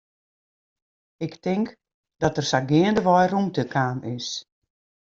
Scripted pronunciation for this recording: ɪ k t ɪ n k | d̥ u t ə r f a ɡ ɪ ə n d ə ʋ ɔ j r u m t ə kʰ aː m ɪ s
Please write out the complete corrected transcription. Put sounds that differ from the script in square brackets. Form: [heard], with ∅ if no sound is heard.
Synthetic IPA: ɪ k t ɪ [ŋ] k | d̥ [ɔ] t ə r [s] a ɡ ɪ ə n d ə ʋ ɔ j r u m t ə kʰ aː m ɪ s